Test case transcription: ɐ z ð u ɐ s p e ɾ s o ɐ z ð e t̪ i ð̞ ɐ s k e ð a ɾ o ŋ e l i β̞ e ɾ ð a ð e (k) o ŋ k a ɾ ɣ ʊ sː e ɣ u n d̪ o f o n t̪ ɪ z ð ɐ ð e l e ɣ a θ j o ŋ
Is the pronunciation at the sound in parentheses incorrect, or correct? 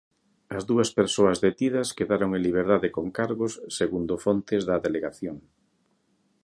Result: correct